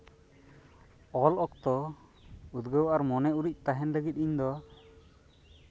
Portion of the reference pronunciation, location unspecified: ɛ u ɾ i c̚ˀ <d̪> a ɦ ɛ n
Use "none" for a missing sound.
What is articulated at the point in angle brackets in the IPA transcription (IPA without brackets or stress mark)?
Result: t̪